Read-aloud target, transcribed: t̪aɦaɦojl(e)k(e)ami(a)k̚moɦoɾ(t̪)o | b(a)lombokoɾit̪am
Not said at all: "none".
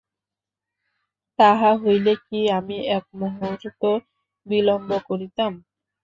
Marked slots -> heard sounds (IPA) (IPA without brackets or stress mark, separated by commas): e, i, ɛ, t̪, i